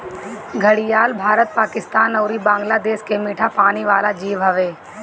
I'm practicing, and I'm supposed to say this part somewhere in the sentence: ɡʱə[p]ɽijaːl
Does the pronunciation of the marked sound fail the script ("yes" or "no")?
yes